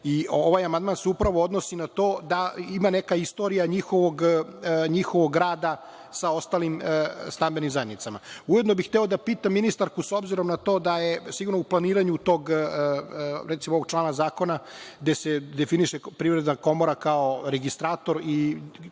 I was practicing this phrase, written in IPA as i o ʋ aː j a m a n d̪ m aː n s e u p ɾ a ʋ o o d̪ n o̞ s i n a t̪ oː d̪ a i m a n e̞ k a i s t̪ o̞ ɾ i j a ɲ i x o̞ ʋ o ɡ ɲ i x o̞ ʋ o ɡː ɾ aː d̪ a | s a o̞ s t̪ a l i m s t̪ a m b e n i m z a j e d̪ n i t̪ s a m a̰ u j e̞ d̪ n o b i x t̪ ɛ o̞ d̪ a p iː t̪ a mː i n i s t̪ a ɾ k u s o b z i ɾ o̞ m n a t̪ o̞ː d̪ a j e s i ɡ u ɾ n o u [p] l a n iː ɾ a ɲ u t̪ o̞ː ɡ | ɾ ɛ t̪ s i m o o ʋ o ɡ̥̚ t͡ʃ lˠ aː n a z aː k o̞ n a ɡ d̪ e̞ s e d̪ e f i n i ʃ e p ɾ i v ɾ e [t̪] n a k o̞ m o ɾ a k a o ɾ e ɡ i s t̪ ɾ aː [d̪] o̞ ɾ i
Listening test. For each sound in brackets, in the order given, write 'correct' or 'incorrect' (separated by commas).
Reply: correct, incorrect, incorrect